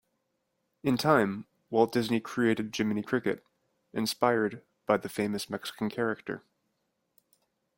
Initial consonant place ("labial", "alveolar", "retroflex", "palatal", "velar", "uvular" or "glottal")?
alveolar